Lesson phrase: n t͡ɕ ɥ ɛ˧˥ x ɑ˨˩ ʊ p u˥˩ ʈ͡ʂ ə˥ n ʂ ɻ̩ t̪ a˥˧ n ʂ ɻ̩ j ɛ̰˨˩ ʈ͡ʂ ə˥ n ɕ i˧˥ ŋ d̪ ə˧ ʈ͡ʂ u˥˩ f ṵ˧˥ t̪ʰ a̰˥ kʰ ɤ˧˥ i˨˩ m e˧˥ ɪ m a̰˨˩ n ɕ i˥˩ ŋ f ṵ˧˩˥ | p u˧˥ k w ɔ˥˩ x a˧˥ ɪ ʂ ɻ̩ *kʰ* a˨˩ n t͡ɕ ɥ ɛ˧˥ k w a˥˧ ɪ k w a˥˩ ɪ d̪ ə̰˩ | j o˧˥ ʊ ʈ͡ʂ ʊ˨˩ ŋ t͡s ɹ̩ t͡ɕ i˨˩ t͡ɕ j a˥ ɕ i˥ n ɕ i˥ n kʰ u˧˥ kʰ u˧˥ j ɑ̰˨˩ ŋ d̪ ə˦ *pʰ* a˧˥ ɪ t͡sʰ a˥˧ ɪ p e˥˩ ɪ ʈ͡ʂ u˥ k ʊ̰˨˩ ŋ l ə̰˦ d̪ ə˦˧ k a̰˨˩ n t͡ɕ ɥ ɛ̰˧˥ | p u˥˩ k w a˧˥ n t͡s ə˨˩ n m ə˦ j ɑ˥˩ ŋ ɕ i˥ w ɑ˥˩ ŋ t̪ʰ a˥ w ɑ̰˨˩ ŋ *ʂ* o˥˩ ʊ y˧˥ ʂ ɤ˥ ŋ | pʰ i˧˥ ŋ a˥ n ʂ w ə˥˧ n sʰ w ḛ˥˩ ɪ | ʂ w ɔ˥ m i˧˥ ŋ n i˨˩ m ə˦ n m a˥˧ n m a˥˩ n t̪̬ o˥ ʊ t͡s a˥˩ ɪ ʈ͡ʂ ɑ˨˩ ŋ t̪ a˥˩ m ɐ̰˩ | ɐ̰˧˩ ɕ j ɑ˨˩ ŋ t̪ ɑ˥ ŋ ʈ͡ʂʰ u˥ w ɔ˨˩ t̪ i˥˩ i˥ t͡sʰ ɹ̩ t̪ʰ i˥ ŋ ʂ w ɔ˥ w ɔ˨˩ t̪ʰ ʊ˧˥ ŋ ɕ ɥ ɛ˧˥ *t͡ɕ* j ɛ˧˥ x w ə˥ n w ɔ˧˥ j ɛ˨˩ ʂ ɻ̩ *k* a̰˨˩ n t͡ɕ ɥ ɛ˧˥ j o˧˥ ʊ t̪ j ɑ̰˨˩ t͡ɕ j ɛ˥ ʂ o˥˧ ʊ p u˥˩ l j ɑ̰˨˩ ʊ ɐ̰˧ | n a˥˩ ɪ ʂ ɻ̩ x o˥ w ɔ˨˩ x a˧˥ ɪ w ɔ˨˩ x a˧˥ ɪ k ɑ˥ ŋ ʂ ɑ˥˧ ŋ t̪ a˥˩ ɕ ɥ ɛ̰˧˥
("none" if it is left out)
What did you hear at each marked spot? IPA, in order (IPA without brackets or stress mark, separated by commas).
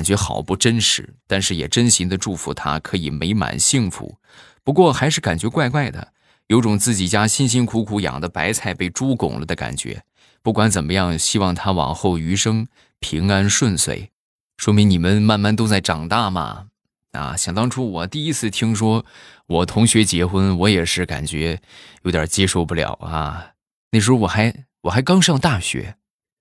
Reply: k, p, x, t͡ɕ, k